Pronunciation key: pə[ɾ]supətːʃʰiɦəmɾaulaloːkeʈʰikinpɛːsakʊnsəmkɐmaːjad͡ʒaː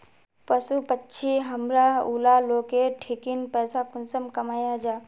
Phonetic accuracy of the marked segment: incorrect: none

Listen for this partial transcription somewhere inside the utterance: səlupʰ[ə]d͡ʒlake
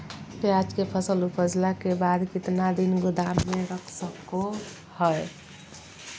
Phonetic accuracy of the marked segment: correct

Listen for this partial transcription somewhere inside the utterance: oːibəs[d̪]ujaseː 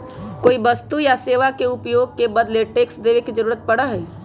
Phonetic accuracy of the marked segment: incorrect: t̪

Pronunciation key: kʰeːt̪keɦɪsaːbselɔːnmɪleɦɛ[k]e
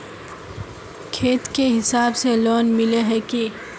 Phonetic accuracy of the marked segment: correct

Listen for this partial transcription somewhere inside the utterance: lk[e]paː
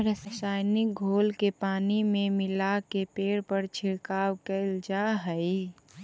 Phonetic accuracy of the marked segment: correct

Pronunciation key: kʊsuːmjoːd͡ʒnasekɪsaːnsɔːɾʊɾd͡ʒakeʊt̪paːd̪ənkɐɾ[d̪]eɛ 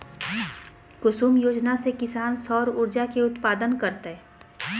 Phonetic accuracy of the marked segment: incorrect: t̪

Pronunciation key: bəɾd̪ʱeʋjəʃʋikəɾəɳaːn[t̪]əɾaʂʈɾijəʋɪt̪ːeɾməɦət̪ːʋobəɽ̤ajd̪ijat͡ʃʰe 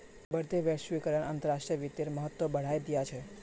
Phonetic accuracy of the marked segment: correct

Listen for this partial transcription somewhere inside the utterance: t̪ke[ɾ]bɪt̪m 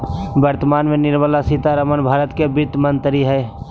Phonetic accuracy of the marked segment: incorrect: none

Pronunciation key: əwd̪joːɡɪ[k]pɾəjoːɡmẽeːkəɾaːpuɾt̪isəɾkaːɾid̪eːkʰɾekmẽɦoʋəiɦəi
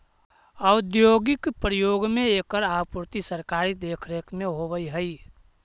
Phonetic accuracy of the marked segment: correct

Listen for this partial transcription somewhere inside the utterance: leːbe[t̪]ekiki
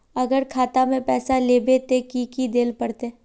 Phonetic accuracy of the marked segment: correct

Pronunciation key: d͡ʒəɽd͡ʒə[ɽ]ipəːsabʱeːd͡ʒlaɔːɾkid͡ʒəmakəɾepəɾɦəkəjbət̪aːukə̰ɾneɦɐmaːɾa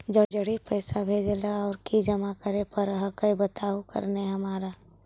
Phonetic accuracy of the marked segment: correct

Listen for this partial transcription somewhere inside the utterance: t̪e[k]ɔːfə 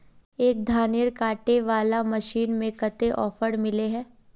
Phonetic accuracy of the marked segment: incorrect: ʔ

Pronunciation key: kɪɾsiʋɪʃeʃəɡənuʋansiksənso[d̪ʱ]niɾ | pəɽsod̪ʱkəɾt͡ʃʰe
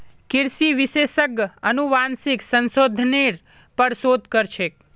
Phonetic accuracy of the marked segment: correct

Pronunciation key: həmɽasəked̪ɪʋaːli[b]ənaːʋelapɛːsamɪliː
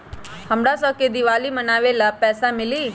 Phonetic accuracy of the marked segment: incorrect: m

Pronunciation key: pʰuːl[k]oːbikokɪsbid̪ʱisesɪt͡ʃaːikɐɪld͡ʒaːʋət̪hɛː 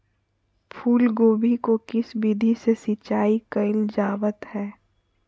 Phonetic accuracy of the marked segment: incorrect: ɡ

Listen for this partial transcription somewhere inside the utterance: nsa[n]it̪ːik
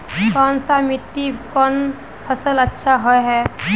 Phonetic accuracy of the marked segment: incorrect: m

